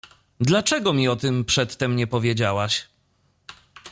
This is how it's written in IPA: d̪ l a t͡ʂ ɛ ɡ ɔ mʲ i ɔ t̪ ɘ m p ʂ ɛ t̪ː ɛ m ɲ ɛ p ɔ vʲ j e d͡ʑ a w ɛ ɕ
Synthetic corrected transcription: d̪ l a t͡ʂ ɛ ɡ ɔ mʲ i ɔ t̪ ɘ m p ʂ ɛ t̪ː ɛ m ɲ ɛ p ɔ vʲ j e d͡ʑ a w a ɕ